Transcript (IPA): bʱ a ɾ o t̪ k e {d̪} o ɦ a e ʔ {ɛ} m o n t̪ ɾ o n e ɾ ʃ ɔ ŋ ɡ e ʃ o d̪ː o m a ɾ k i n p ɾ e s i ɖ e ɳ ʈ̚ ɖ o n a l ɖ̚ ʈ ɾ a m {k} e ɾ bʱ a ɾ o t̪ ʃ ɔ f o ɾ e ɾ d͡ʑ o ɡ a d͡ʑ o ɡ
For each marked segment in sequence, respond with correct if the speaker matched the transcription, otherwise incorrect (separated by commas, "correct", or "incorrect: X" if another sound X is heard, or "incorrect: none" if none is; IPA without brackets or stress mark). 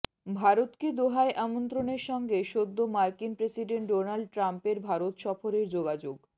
correct, incorrect: a, incorrect: p